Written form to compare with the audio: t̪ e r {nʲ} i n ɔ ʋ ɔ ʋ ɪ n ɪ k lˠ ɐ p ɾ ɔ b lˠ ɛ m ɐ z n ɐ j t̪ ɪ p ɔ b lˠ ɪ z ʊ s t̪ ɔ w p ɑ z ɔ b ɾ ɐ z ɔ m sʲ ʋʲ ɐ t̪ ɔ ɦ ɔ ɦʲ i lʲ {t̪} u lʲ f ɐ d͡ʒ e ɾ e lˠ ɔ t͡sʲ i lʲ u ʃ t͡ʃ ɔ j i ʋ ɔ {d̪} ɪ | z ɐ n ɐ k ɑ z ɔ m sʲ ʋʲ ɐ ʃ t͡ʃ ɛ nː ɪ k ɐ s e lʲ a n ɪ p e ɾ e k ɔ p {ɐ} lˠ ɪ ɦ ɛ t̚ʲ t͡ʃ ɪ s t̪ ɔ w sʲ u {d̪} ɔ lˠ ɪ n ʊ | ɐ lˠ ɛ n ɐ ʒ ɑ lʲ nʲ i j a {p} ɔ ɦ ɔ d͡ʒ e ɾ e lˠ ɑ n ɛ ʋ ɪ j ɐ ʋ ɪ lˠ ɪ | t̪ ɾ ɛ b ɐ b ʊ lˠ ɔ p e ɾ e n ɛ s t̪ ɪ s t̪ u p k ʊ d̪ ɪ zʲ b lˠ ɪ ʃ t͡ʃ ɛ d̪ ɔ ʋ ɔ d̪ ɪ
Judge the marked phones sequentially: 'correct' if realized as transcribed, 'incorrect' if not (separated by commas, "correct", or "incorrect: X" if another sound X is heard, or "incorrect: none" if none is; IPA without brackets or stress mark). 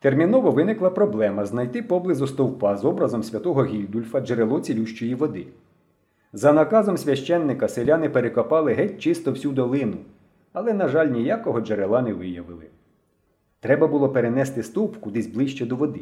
incorrect: mʲ, incorrect: d̪, correct, incorrect: ɑ, correct, incorrect: k